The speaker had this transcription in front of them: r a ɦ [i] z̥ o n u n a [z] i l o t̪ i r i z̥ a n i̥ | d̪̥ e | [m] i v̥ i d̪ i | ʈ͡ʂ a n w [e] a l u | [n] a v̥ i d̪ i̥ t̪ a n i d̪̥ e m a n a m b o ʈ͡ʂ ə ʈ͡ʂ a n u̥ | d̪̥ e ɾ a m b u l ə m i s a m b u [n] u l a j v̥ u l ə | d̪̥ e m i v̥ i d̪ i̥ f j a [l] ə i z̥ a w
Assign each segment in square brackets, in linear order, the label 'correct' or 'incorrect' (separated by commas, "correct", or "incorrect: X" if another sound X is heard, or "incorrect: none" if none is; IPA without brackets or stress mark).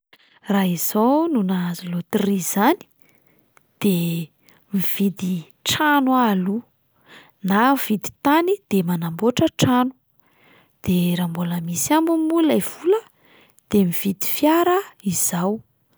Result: correct, correct, correct, incorrect: a, correct, incorrect: m, incorrect: ɾ